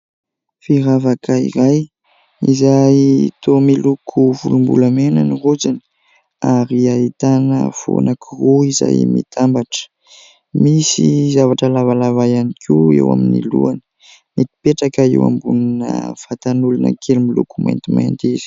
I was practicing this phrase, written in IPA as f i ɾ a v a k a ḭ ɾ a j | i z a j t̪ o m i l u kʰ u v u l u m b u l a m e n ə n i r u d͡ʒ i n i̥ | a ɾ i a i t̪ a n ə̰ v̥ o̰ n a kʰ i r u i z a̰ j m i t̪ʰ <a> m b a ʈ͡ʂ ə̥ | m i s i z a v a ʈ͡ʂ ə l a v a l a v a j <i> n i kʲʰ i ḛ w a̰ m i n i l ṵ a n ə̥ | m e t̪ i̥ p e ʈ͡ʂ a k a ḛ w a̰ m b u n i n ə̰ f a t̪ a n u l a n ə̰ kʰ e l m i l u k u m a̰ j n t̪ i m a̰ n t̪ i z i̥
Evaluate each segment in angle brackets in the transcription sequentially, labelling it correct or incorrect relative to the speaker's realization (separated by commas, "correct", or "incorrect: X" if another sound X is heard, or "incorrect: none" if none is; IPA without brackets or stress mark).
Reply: correct, incorrect: a